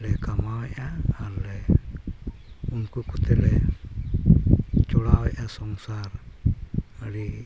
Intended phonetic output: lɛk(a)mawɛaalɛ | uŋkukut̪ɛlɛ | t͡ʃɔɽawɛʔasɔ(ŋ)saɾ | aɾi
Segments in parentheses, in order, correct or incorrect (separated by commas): correct, correct